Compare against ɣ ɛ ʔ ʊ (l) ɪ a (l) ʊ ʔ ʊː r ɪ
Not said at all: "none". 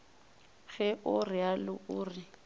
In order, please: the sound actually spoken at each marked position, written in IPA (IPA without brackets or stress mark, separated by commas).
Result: r, l